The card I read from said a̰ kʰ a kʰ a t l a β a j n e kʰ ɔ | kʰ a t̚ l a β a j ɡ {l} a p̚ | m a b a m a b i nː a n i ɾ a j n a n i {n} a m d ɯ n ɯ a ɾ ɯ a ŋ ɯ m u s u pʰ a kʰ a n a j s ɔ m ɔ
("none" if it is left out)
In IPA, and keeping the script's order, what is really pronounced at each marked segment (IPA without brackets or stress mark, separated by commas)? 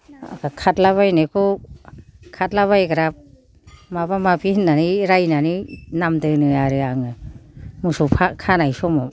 ɾ, n